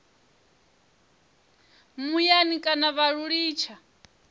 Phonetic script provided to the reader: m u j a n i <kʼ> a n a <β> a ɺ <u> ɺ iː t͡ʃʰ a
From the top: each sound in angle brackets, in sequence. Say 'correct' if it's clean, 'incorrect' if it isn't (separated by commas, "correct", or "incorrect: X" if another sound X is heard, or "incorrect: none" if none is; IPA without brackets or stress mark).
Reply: correct, correct, correct